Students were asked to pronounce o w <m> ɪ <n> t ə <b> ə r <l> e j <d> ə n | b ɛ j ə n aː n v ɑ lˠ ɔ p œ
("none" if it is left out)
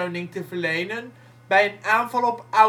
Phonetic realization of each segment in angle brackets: n, ŋ, v, l, n

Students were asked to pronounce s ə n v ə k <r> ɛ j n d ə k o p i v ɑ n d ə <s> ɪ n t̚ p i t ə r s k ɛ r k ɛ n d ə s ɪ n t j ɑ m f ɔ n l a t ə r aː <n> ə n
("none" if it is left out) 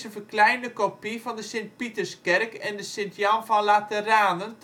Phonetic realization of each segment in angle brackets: l, s, n

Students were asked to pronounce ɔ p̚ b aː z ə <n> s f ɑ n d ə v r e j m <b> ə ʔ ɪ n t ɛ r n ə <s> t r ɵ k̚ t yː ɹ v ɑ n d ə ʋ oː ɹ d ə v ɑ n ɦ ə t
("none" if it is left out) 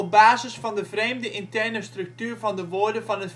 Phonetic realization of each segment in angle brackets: none, d, s

